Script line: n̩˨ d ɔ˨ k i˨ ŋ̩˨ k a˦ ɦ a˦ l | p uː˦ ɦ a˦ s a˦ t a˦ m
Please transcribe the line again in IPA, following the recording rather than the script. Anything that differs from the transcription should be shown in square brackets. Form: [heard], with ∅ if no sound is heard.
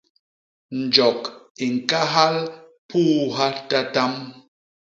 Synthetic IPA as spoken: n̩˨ [d͡ʒ] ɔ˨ k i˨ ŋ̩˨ k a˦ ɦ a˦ l | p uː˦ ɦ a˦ [t] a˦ t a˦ m